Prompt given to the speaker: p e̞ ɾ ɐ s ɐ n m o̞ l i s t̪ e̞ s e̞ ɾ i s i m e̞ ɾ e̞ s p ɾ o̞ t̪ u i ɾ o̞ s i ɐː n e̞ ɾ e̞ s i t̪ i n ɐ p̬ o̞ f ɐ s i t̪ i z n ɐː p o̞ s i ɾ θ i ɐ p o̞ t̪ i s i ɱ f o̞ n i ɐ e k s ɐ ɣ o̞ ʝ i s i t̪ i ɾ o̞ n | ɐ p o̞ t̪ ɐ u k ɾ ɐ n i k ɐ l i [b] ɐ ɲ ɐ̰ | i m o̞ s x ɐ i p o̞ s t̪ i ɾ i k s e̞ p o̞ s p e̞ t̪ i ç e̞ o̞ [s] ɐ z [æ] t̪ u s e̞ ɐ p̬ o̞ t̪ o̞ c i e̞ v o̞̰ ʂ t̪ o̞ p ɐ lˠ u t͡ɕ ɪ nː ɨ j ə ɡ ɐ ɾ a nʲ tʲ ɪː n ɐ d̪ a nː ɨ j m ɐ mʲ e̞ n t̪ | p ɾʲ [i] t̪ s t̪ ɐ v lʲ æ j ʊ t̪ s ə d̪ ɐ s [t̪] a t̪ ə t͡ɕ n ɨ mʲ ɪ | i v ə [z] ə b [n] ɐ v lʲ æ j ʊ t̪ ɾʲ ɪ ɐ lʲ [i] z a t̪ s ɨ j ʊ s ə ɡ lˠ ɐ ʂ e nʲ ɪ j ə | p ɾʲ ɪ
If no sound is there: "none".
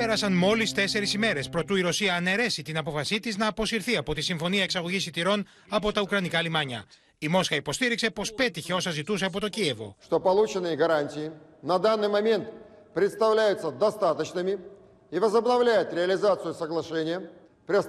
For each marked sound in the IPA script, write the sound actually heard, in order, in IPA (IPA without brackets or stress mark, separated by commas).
m, s, i, ɪ, t̪, z, n, ɪ